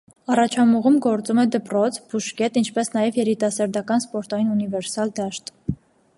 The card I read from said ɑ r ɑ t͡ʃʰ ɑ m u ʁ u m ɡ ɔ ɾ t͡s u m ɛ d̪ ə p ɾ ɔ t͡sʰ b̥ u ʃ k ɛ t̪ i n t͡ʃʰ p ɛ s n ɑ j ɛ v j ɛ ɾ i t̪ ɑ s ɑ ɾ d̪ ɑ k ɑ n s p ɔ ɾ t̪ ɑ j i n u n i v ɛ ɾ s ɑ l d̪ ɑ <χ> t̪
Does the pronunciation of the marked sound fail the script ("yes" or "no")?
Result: yes